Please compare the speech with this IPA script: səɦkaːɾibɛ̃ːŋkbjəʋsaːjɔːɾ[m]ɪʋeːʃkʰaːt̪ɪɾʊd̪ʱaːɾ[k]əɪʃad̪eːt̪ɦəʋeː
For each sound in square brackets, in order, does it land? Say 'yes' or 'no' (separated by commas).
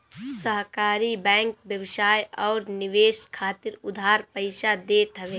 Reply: no, no